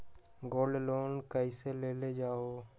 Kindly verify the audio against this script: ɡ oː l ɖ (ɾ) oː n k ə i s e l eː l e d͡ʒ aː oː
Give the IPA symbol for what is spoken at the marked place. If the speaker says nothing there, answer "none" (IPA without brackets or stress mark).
l